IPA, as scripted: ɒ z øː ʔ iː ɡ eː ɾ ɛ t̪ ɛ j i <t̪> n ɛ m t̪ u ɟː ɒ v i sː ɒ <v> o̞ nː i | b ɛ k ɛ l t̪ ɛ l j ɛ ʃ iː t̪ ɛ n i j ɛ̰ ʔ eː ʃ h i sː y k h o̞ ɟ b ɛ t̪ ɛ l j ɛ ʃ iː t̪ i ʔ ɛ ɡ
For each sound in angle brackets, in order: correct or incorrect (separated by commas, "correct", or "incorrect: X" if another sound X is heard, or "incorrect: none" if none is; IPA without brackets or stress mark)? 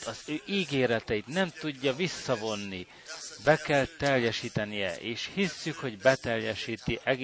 correct, correct